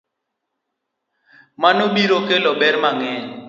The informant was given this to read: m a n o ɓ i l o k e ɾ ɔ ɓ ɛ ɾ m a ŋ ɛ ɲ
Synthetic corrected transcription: m a n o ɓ i ɾ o k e l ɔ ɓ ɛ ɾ m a ŋ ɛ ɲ